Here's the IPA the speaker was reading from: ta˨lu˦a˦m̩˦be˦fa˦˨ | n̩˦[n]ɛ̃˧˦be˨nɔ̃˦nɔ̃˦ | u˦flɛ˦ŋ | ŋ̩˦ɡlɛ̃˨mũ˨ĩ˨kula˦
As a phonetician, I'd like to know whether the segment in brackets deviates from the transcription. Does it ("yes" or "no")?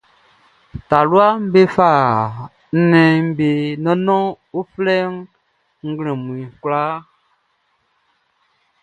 no